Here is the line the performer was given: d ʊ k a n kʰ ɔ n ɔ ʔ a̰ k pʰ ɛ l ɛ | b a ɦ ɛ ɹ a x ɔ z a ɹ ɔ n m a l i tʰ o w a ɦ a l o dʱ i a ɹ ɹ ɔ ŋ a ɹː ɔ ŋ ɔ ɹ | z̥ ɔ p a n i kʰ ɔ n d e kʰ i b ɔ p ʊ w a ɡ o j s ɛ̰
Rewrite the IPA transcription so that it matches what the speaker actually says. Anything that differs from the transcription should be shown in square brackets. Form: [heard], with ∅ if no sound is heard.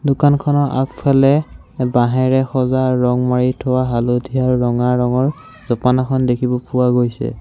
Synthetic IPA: d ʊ k a n kʰ ɔ n ɔ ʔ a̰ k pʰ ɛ l ɛ | b a ɦ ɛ ɹ [ɛ] x ɔ z a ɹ ɔ [ŋ] m a [ɹ] i tʰ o w a ɦ a l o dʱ i a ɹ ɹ ɔ ŋ a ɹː ɔ ŋ ɔ ɹ | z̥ ɔ p a n [a] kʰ ɔ n d e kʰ i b ɔ p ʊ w a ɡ o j s ɛ̰